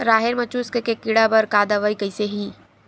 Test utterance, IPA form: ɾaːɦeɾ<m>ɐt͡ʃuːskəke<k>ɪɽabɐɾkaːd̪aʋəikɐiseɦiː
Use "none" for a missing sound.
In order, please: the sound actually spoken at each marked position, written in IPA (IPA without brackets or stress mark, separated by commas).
m, k